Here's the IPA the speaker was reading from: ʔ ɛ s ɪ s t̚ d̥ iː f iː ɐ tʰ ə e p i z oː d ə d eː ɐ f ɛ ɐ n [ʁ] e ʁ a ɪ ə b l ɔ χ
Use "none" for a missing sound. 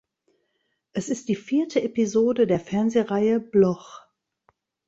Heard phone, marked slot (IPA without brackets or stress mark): z